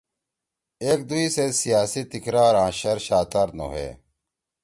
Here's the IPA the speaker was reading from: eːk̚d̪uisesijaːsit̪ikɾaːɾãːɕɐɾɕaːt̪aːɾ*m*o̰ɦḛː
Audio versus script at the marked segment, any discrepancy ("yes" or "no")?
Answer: yes